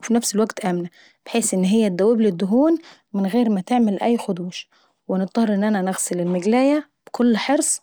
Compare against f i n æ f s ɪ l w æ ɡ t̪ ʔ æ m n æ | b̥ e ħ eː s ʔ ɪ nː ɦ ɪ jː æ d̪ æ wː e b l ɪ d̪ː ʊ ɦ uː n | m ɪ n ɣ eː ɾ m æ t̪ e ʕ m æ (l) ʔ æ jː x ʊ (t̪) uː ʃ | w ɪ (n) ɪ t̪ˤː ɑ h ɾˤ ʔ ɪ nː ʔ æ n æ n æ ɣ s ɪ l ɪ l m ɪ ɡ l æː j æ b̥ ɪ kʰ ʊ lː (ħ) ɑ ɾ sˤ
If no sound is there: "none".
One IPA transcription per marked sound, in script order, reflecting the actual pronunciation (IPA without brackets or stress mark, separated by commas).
l, d̪, n, ħ